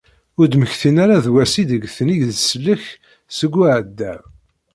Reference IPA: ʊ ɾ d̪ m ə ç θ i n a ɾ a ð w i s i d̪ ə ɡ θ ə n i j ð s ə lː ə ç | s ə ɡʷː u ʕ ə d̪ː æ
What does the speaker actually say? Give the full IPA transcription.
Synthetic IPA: ʊ ɾ d̪ m ə ç θ i n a ɾ a ð w æ s i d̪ ə ɡ θ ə n i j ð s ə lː ə ç | s ə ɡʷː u ʕ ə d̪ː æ